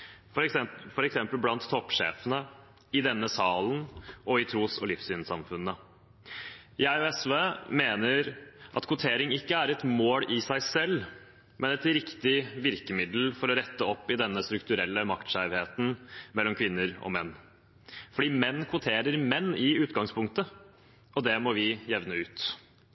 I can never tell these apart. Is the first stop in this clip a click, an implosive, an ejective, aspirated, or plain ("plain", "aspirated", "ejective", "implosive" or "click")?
plain